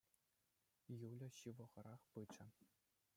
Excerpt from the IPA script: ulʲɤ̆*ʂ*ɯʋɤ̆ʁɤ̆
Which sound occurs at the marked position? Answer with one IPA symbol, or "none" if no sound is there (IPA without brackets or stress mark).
ɕ